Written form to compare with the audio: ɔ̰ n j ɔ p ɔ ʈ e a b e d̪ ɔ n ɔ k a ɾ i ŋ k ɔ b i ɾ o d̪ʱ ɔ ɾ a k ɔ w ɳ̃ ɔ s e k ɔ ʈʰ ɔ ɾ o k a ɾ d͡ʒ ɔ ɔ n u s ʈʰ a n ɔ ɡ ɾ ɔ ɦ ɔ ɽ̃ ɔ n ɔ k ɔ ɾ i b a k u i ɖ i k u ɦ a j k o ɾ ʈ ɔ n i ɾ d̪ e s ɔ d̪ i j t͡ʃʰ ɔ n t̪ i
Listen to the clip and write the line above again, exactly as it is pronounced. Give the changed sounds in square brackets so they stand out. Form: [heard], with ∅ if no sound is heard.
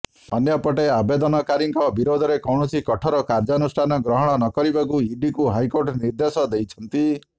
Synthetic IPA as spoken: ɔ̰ n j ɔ p ɔ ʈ e a b e d̪ ɔ n ɔ k a ɾ i ŋ k ɔ b i ɾ o d̪ʱ ɔ ɾ [e] k ɔ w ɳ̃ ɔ s [i] k ɔ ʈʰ ɔ ɾ [ɔ] k a ɾ d͡ʒ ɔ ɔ n u s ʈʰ a n ɔ ɡ ɾ ɔ ɦ ɔ ɽ̃ ɔ n ɔ k ɔ ɾ i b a k u i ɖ i k u ɦ a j k o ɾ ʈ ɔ n i ɾ d̪ e s ɔ d̪ [e] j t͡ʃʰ ɔ n t̪ i

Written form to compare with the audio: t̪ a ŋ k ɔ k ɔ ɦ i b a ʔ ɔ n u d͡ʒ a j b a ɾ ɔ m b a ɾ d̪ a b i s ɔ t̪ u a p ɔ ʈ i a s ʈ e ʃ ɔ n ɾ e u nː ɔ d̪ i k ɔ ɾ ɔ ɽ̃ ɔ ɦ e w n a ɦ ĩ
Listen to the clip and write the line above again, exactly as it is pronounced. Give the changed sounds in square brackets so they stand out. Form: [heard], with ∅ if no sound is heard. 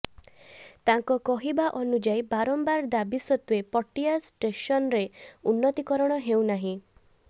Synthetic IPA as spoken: t̪ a ŋ k ɔ k ɔ ɦ i b a ʔ ɔ n u d͡ʒ a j b a ɾ ɔ m b a ɾ d̪ a b i s ɔ t̪ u [e] p ɔ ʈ i a s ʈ e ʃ ɔ n ɾ e u nː ɔ [t̪] i k ɔ ɾ ɔ ɽ̃ ɔ ɦ e w n a ɦ ĩ

